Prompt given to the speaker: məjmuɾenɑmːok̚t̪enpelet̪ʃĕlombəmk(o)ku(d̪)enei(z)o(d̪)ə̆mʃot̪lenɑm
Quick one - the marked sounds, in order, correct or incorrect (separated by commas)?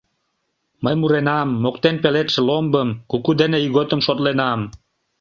incorrect, correct, incorrect, incorrect